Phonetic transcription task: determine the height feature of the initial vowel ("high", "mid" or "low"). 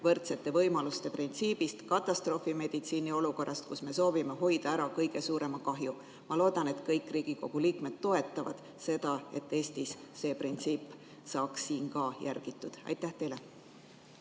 mid